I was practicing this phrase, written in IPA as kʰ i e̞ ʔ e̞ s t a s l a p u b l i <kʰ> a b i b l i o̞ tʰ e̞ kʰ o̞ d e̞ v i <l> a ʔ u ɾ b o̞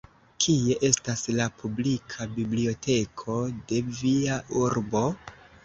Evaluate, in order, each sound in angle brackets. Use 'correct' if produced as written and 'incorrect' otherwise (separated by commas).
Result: correct, incorrect